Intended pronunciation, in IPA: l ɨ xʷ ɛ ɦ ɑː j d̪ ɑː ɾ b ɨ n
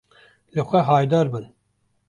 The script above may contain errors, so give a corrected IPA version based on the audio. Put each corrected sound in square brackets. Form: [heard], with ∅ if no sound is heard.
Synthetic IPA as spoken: l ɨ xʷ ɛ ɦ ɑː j d̪ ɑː ɾ b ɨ n